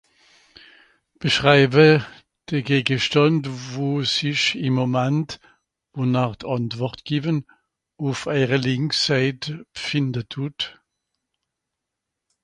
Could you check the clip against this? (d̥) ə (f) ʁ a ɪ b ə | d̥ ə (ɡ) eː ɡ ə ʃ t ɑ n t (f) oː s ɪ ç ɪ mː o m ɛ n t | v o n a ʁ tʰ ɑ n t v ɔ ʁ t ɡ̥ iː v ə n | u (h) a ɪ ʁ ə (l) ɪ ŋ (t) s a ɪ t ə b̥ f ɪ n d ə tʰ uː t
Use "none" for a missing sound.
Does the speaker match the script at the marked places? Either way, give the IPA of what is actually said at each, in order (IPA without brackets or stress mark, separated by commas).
b̥, ʃ, ɡ, v, f, l, k